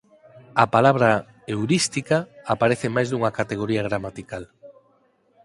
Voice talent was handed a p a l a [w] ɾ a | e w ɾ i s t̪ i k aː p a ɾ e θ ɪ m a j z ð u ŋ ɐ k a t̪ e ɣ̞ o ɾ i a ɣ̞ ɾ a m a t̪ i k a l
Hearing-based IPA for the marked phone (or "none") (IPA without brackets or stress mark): β